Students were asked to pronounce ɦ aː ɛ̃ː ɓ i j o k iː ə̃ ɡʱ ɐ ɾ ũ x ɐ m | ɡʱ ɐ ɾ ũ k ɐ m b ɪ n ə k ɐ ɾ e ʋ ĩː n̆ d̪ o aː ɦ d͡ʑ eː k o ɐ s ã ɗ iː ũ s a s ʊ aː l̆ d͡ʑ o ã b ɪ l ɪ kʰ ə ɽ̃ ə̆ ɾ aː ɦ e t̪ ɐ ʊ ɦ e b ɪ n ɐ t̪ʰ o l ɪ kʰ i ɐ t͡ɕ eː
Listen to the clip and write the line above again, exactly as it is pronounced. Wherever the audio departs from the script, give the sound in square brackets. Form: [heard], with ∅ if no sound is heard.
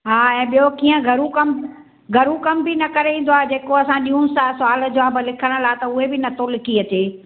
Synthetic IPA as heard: ɦ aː ɛ̃ː ɓ i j o k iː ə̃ ɡʱ ɐ ɾ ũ [k] ɐ m | ɡʱ ɐ ɾ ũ k ɐ m b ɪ n [ɐ] k ɐ ɾ e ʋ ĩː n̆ d̪ o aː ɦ d͡ʑ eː k o ɐ s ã ɗ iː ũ s a s ʊ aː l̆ d͡ʑ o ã b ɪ l ɪ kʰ ə ɽ̃ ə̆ [l] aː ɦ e t̪ ɐ ʊ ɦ e b ɪ n ɐ t̪ʰ o l ɪ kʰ i ɐ t͡ɕ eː